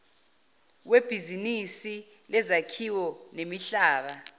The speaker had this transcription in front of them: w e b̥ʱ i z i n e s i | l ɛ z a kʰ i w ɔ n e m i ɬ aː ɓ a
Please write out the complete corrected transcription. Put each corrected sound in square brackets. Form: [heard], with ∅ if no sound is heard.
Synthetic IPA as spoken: w e b̥ʱ i z i n [i] s i | l ɛ z a kʰ i w ɔ n e m i ɬ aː ɓ a